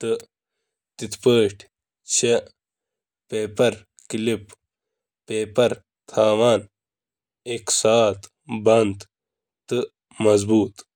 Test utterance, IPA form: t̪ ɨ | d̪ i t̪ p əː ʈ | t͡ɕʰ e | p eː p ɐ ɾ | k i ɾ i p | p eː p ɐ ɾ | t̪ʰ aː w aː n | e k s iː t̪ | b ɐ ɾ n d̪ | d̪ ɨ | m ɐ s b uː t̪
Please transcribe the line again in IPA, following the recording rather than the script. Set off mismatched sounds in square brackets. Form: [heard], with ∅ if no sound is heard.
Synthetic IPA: t̪ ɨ | [t̪] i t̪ p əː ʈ | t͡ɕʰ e | p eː p ɐ ɾ | k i [l] i p | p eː p ɐ ɾ | t̪ʰ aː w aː n | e k s [aː] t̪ | b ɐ [∅] n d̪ | [t̪] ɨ | m ɐ [z] b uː t̪